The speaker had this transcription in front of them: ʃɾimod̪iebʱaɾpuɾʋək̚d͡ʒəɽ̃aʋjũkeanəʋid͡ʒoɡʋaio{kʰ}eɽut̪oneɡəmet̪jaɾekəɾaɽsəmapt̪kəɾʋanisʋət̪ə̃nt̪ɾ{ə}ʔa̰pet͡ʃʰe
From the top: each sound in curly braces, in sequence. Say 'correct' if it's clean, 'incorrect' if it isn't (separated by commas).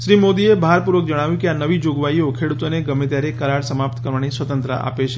correct, correct